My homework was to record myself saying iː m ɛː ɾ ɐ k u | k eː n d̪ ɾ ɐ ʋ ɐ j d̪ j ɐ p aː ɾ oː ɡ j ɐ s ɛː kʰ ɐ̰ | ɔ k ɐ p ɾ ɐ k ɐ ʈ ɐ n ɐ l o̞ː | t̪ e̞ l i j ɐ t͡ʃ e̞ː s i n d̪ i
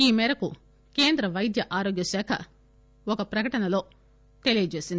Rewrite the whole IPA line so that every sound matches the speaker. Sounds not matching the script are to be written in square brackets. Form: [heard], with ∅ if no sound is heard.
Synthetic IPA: iː m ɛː ɾ ɐ k u | k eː n d̪ ɾ ɐ ʋ ɐ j d̪ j ɐ [ʔ] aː ɾ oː ɡ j ɐ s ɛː kʰ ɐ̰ | ɔ k ɐ p ɾ ɐ k ɐ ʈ ɐ n ɐ l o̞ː | t̪ e̞ l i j ɐ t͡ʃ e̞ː s i n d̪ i